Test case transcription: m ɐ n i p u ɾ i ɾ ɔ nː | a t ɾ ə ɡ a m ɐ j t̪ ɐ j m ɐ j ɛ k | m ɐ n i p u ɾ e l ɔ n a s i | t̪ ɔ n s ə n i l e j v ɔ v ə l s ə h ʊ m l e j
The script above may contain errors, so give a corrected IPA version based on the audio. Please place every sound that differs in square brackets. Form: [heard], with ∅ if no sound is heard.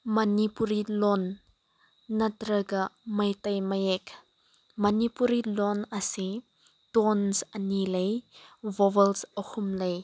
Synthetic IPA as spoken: m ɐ n i p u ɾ i [l] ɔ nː | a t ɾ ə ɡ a m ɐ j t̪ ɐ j m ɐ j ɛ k | m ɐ n i p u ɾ [i] l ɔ n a s i | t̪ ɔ n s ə n i l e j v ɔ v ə l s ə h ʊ m l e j